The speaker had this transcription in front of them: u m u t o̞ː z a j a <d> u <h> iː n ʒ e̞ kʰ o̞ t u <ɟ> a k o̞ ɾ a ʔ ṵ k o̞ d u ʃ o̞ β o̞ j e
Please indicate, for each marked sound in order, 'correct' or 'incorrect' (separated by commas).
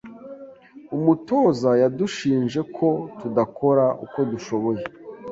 correct, incorrect, incorrect